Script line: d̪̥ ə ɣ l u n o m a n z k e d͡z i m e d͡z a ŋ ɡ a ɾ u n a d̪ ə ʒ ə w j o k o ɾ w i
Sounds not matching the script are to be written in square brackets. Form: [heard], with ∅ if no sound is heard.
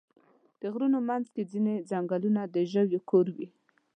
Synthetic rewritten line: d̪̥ ə ɣ [ɾ] u n o m a n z k e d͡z i [n] e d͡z a ŋ ɡ a [l] u n a d̪ ə ʒ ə w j o k o ɾ w i